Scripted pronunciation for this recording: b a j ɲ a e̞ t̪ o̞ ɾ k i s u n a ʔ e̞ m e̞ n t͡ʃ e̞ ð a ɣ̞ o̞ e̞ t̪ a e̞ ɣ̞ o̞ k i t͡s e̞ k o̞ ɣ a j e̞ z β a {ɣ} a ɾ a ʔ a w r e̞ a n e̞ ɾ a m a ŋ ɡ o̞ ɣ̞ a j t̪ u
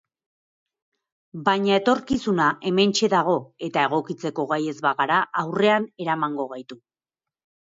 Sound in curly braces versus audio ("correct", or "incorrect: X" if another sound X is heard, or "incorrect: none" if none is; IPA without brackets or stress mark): correct